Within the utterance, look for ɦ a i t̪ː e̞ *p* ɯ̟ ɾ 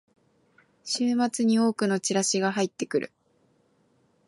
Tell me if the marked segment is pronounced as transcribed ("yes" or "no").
no